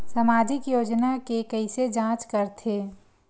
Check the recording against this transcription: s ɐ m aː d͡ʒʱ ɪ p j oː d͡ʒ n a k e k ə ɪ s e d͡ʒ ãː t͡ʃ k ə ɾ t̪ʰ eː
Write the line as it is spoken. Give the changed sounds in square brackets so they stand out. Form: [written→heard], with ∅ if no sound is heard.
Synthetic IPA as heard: s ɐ m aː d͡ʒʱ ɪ [p→k] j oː d͡ʒ n a k e k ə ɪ s e d͡ʒ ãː t͡ʃ k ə ɾ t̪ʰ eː